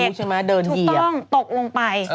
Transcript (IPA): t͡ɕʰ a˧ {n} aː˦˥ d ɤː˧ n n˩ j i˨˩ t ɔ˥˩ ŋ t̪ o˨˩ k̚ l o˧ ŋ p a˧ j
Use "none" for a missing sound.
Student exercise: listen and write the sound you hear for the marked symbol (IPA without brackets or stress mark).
m